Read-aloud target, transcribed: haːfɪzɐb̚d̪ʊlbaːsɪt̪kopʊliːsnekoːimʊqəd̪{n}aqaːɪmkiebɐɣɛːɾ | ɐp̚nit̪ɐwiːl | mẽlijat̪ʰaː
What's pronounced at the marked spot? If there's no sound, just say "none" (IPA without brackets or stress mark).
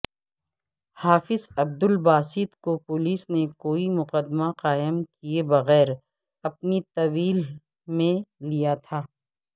m